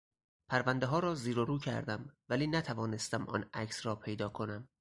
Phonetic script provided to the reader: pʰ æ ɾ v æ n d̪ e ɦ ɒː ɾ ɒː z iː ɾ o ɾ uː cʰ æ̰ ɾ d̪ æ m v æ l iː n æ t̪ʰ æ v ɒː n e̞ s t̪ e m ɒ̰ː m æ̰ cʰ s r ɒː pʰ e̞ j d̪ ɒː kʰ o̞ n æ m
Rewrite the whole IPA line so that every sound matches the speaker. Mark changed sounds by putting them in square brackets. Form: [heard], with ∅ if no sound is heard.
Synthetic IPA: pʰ æ ɾ v æ n d̪ e ɦ ɒː ɾ ɒː z iː ɾ o ɾ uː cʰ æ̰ ɾ d̪ æ m v æ l iː n æ t̪ʰ æ v ɒː n e̞ s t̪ [æ] m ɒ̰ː [n] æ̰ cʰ s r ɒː pʰ e̞ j d̪ ɒː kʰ o̞ n æ m